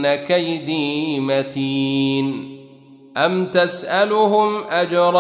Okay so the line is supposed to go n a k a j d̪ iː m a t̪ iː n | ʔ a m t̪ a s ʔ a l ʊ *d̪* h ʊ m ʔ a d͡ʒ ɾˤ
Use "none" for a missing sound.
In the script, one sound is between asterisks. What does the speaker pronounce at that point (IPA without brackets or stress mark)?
none